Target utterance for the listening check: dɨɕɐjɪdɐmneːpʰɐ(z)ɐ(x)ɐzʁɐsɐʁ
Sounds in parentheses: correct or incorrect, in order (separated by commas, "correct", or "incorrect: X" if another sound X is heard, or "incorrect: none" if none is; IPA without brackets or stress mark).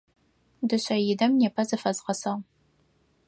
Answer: correct, incorrect: f